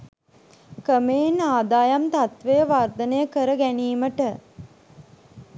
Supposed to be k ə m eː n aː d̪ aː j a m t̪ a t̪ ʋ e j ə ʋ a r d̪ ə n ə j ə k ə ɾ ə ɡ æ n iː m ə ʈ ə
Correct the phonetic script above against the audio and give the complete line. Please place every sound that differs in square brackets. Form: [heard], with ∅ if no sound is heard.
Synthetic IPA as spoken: k ə m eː n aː d̪ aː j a m t̪ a t̪ ʋ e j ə ʋ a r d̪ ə n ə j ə k ə ɾ ə ɡ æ n iː m ə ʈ ə